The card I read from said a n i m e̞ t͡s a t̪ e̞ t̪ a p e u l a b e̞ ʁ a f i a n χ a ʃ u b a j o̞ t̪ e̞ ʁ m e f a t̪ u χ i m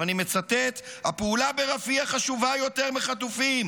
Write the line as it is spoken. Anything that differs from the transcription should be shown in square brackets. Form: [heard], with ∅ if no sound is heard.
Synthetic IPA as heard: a n i m e̞ t͡s a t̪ e̞ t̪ a p e u l a b e̞ ʁ a f i a [∅] χ a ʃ u [v] a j o̞ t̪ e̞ ʁ m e [χ] a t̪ u [f] i m